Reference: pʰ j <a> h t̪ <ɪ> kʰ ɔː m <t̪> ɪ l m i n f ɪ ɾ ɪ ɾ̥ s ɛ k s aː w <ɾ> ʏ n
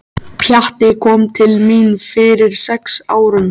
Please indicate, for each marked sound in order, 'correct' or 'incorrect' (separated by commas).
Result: correct, correct, incorrect, correct